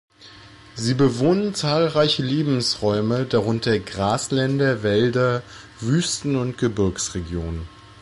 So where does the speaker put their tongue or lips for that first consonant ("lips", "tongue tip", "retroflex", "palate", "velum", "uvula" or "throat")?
tongue tip